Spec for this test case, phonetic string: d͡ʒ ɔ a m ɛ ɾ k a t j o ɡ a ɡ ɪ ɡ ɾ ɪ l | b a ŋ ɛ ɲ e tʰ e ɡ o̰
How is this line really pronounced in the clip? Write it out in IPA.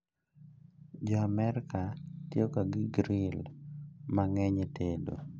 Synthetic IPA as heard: d͡ʒ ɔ a m ɛ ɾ k a t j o k a ɡ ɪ ɡ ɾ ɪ l | m a ŋ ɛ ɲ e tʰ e d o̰